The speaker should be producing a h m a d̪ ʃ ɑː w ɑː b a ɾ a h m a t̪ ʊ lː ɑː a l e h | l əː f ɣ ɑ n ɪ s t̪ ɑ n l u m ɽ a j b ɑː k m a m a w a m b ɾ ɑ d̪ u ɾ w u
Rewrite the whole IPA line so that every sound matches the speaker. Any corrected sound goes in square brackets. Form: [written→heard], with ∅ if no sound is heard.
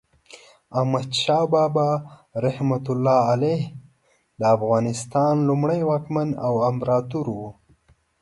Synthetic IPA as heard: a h m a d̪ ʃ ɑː [w→b] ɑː b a ɾ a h m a t̪ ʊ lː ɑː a l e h | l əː f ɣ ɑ n ɪ s t̪ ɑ n l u m ɽ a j [b→w] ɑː k m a [m→n] a w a m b ɾ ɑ [d̪→t̪] u ɾ w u